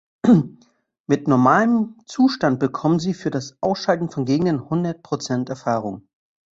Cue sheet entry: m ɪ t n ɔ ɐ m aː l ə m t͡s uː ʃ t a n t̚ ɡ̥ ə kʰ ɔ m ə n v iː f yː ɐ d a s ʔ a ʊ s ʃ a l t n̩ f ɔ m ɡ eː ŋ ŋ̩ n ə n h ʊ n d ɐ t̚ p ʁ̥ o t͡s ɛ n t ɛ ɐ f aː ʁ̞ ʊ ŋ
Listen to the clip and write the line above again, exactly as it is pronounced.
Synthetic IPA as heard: m ɪ t n ɔ ɐ m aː l ə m t͡s uː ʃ t a n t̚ b̥ ə kʰ ɔ m ə n z iː f yː ɐ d a s ʔ a ʊ s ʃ a l t n̩ f ɔ n ɡ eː ɡ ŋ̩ d ə n h ʊ n d ɐ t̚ p ʁ̥ o t͡s ɛ n t ɛ ɐ f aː ʁ̞ ʊ ŋ